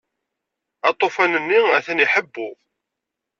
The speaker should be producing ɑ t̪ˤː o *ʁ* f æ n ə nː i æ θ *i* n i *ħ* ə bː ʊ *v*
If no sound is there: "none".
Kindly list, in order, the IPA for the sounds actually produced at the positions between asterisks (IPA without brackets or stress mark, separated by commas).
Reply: none, æ, ħ, ʁ